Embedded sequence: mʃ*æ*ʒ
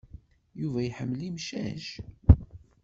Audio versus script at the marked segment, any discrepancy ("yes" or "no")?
no